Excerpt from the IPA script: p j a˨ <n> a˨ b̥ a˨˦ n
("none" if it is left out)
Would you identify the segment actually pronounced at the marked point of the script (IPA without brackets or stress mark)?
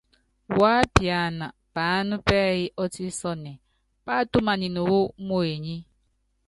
n